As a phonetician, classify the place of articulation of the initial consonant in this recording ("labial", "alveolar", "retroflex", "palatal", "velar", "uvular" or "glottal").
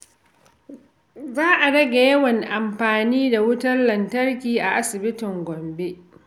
alveolar